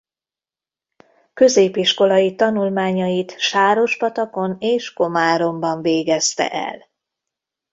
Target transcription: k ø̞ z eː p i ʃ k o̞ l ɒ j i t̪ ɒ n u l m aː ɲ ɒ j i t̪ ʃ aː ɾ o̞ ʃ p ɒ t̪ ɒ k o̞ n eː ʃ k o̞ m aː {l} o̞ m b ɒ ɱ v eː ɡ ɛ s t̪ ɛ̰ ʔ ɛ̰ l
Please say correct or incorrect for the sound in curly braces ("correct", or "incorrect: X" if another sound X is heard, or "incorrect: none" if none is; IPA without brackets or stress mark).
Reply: incorrect: ɾ